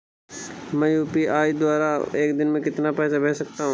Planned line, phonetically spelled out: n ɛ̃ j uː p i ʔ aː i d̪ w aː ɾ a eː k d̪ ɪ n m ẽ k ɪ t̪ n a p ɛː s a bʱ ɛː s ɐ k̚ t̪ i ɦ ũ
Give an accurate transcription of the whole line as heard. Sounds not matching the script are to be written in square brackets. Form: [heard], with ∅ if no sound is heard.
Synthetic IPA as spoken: [m] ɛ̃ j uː p i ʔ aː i d̪ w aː ɾ a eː k d̪ ɪ n m ẽ k ɪ t̪ n a p ɛː s a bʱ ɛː s ɐ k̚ t̪ [a] ɦ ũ